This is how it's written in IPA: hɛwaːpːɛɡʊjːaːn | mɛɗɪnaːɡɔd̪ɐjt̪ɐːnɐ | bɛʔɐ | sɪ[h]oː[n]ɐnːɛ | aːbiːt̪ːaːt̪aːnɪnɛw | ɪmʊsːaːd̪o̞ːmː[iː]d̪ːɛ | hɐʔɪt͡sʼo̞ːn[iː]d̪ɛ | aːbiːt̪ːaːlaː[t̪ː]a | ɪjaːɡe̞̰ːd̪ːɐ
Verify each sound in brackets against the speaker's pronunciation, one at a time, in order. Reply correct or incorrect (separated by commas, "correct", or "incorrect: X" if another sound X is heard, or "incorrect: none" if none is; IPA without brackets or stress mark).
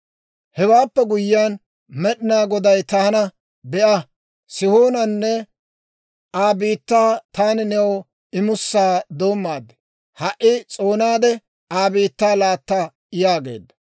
correct, correct, incorrect: aː, incorrect: aː, correct